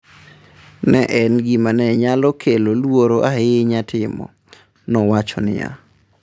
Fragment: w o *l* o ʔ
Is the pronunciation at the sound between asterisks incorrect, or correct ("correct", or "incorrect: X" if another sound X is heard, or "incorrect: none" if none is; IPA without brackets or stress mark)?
incorrect: ɾ